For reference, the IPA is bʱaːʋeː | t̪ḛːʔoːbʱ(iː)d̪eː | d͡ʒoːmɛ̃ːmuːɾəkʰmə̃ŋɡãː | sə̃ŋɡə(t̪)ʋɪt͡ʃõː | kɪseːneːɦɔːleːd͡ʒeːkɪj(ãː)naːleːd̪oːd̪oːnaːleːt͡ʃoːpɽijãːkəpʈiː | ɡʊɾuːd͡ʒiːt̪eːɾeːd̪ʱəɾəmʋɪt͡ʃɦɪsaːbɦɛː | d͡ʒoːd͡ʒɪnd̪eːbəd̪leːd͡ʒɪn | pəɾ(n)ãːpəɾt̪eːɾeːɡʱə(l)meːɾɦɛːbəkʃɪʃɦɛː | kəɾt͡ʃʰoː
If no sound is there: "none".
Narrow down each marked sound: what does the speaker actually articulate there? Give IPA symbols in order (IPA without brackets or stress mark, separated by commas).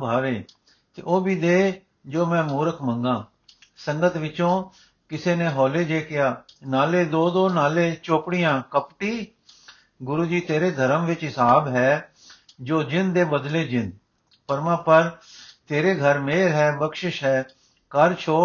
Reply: iː, t̪, aː, m, ɾ